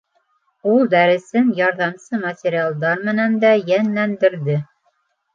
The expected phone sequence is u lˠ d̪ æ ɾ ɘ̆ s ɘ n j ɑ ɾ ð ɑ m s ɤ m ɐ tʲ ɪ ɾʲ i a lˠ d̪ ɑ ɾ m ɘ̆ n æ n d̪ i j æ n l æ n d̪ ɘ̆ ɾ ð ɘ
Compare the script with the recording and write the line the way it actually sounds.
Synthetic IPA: u lˠ d̪ æ ɾ ɘ̆ s ɘ n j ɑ ɾ ð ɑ m s ɤ m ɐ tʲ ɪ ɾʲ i a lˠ d̪ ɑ ɾ m ɘ̆ n æ n d̪ æ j æ n l æ n d̪ ɘ̆ ɾ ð ɘ